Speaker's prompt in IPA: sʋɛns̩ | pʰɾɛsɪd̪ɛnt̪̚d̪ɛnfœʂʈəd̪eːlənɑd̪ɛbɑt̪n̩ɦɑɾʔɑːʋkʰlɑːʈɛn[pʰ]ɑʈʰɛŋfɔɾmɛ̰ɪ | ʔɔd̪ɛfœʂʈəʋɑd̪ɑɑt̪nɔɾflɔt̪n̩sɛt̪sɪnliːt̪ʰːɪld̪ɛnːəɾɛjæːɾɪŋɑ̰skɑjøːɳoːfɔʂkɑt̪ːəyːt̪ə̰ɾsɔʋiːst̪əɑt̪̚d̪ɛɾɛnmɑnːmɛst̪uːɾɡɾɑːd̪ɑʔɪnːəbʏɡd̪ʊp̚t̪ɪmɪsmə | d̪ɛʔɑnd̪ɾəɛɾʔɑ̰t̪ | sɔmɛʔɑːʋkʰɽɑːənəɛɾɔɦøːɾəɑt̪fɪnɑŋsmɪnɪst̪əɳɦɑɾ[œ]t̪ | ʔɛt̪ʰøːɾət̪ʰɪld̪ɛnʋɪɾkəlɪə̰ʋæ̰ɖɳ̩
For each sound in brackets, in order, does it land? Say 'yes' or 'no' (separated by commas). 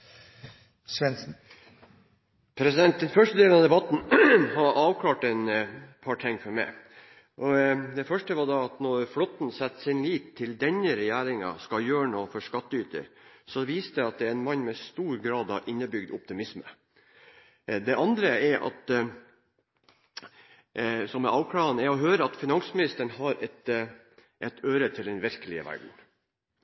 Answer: yes, no